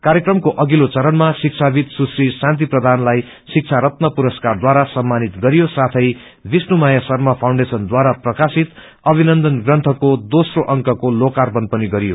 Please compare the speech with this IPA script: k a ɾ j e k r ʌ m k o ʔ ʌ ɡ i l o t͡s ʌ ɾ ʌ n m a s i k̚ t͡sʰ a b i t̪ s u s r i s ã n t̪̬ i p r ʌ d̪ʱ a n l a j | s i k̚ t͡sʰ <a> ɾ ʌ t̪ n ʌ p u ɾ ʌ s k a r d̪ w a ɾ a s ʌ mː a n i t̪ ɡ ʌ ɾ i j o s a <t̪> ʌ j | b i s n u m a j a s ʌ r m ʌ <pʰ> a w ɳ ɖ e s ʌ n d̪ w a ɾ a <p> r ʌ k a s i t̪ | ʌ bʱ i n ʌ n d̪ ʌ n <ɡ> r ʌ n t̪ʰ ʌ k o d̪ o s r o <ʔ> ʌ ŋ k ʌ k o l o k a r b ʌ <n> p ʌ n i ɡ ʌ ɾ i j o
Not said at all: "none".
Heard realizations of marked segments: a, t̪ʰ, pʰ, p, ɡ, ʔ, n

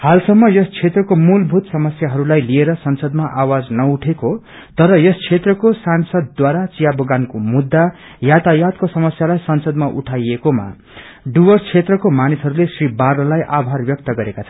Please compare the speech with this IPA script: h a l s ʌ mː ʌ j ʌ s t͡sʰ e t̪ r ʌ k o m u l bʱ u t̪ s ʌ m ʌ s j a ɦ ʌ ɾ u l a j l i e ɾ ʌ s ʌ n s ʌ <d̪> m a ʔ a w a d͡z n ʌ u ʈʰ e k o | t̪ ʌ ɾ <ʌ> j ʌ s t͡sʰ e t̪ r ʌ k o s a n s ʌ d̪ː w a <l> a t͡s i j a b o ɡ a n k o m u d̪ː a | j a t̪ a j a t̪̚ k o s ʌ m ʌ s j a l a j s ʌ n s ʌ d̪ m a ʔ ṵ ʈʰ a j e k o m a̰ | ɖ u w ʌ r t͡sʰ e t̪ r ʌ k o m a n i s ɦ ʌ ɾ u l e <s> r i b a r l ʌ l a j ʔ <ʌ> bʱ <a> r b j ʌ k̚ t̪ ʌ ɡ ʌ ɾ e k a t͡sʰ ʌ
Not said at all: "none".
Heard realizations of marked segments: d̪, ʌ, ɾ, s, a, a

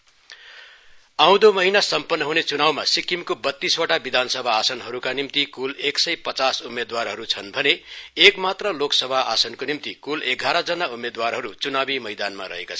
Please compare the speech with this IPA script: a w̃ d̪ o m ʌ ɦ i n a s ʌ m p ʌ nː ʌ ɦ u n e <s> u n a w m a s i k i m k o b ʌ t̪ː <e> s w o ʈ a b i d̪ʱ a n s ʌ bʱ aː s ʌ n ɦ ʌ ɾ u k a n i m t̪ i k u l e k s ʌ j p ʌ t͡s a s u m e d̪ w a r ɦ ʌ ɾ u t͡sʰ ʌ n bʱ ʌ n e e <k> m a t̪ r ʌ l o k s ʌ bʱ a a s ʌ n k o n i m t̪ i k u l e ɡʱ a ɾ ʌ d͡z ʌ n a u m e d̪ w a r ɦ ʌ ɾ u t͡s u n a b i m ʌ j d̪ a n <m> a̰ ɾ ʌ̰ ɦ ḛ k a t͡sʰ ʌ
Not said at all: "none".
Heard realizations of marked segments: t͡s, i, k, m

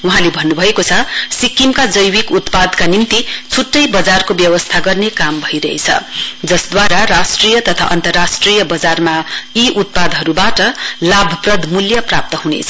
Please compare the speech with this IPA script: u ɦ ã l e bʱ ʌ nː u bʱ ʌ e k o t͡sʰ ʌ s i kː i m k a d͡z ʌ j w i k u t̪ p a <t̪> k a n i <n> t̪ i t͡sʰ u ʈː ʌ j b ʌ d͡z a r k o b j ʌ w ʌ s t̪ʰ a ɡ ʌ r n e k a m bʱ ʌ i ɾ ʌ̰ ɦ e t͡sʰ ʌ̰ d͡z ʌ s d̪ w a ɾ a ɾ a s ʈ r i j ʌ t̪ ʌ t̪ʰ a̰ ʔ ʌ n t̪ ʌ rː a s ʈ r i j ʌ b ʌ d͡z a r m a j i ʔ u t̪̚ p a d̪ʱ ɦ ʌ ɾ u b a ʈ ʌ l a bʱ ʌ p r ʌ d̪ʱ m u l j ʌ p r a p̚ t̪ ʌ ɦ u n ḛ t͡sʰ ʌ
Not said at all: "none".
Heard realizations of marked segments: d̪, m

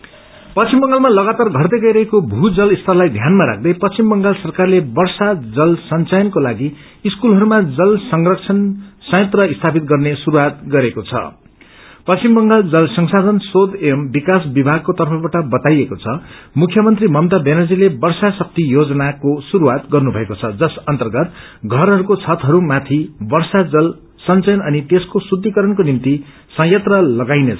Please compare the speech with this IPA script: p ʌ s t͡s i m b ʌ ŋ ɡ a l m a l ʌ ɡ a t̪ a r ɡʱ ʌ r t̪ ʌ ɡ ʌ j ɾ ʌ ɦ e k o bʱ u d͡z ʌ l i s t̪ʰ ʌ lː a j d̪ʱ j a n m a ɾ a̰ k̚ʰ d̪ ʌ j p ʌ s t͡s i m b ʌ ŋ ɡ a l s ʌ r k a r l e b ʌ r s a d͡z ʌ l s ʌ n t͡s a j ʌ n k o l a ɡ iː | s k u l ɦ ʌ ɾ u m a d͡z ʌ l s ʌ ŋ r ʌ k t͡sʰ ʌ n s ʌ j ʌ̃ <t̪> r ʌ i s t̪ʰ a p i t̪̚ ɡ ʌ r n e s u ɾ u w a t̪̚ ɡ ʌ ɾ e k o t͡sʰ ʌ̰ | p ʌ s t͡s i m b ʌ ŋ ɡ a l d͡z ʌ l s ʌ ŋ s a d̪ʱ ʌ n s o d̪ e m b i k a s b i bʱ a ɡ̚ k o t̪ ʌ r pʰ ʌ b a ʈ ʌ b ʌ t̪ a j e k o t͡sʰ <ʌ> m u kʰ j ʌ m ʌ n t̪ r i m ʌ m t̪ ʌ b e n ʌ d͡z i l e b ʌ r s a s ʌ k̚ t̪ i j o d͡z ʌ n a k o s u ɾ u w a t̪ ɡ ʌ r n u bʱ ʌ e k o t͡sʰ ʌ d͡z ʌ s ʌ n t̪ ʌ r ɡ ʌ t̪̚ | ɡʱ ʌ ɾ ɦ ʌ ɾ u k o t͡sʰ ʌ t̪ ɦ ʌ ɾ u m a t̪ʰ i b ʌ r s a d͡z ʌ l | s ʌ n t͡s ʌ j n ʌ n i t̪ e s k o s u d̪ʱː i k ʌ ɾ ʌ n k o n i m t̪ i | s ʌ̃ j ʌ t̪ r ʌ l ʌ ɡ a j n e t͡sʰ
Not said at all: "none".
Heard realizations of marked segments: t̪, ʌ

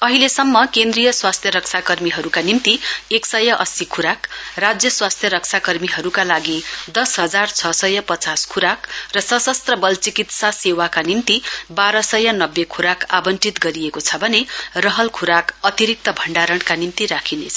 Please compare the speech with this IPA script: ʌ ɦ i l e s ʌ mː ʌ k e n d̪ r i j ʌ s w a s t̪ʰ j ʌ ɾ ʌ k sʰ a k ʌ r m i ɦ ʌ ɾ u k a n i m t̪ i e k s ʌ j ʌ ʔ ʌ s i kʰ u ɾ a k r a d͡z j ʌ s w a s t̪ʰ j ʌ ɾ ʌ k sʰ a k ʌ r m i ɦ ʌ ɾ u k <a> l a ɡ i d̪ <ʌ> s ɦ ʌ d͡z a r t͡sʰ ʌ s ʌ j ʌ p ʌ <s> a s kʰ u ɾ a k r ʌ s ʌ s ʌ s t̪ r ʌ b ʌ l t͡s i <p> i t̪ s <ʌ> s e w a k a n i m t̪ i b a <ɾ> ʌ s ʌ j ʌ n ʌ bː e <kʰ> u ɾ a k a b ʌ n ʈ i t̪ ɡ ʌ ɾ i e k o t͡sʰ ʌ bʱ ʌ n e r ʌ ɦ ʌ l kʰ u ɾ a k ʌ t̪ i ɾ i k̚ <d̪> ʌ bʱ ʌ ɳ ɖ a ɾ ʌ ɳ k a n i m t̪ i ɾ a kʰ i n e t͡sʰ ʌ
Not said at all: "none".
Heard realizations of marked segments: a, ʌ, t͡s, k, a, ɾ, kʰ, t̪

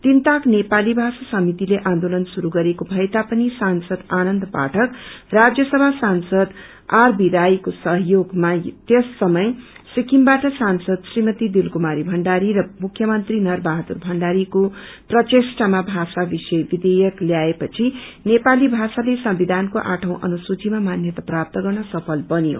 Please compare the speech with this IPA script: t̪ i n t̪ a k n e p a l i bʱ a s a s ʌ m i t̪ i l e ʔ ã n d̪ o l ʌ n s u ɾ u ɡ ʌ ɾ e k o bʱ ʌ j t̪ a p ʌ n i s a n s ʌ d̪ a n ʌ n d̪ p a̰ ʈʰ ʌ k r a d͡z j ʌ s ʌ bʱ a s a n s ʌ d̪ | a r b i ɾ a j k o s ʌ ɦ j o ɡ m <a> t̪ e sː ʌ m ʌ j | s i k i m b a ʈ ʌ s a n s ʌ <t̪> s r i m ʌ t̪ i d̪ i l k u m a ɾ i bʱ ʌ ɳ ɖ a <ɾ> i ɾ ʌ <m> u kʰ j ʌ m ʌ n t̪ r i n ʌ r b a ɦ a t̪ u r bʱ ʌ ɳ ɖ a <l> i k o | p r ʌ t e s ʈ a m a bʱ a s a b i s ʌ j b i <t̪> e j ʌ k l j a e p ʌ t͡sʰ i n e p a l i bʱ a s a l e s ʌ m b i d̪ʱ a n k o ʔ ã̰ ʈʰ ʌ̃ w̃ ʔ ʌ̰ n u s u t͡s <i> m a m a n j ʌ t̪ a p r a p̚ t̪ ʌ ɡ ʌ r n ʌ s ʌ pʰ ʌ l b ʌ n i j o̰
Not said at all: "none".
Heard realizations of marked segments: a, d̪, ɾ, m, ɾ, d̪, i

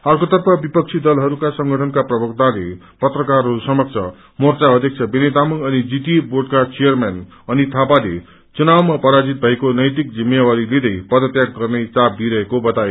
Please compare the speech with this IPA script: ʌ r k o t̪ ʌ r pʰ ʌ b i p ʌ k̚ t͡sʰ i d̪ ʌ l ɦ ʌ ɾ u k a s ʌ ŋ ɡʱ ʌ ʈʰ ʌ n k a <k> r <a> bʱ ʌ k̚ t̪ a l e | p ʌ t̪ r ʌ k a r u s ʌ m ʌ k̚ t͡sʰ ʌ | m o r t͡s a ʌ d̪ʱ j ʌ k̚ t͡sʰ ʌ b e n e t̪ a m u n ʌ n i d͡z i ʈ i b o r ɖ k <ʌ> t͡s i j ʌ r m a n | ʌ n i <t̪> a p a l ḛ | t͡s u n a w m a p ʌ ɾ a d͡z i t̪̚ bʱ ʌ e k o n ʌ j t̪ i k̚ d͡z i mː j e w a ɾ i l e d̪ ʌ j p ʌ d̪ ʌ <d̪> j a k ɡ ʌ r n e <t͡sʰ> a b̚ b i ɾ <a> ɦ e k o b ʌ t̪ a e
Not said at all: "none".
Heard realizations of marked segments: p, ʌ, a, t̪ʰ, t̪, t͡s, ʌ

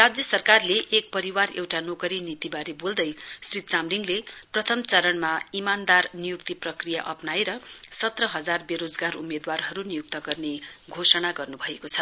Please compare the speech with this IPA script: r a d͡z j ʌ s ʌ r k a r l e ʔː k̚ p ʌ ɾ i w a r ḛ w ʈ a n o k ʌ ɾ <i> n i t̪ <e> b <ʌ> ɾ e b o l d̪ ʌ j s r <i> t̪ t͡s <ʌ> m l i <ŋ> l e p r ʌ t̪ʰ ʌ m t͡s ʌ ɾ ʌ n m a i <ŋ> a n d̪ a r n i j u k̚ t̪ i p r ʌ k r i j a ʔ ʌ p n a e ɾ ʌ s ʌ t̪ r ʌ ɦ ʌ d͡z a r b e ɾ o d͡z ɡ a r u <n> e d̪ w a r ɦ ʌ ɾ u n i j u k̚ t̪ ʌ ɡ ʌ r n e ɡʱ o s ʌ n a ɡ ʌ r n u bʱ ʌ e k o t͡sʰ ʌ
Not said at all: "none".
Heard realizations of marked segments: i, i, a, i, a, ŋ, m, m

